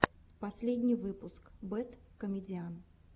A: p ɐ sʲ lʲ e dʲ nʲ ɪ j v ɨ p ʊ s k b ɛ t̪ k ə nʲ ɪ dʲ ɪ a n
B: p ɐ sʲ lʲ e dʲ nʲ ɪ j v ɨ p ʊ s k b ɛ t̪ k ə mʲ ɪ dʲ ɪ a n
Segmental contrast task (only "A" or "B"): B